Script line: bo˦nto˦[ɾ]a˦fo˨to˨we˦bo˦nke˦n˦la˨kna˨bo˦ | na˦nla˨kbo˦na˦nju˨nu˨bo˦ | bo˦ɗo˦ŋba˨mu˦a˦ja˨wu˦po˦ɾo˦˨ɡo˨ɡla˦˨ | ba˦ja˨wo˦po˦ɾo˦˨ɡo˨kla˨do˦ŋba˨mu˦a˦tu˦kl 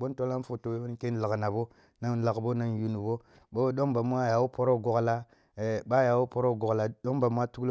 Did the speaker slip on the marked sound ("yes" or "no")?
yes